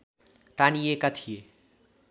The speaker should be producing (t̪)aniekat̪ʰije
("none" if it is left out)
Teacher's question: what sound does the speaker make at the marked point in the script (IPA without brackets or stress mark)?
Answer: t̪